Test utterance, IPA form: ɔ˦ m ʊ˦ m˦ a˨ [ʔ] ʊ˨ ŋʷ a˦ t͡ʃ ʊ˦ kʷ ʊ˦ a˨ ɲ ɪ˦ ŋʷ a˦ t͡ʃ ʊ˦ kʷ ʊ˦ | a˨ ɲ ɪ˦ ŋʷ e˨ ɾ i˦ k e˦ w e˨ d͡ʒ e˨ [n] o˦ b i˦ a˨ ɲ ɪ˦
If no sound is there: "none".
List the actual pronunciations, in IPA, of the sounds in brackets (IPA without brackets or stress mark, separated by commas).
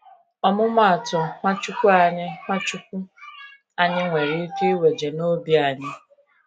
t, n